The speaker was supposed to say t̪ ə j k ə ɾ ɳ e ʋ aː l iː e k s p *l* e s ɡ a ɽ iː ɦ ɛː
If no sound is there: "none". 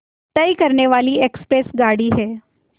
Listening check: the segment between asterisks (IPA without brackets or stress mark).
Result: ɾ